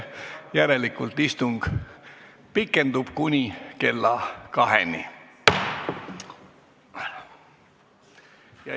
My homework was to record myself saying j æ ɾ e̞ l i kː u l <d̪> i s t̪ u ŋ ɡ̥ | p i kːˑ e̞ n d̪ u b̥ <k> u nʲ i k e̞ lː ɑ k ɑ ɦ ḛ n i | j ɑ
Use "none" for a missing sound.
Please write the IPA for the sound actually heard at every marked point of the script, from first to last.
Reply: t̪, k

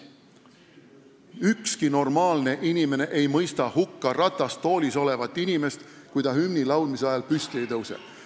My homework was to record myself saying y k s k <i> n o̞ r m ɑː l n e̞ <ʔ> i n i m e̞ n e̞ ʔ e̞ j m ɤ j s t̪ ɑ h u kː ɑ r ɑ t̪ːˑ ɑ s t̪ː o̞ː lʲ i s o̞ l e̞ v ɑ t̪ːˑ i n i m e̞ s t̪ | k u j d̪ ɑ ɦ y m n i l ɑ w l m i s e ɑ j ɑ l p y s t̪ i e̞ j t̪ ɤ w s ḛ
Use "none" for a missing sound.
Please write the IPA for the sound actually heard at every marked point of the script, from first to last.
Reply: i, ʔ

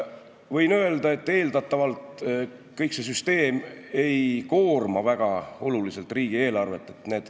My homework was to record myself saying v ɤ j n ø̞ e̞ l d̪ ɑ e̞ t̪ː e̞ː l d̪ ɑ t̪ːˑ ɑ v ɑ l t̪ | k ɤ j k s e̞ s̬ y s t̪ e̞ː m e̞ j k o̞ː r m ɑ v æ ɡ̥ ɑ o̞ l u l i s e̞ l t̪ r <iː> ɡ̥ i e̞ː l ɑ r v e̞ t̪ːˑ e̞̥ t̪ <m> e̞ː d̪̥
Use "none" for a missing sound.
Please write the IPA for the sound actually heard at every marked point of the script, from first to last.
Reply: iː, n

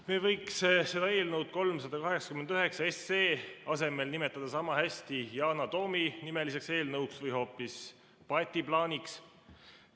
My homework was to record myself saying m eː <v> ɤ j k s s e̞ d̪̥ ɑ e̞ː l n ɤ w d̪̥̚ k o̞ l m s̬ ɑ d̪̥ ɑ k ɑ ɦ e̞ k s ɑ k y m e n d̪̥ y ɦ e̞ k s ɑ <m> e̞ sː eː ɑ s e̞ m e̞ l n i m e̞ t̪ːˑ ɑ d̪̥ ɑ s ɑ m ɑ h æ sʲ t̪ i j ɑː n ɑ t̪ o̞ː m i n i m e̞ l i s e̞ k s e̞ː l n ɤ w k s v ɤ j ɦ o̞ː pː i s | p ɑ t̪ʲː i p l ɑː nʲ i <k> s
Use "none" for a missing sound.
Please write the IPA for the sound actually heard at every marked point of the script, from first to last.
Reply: v, none, k

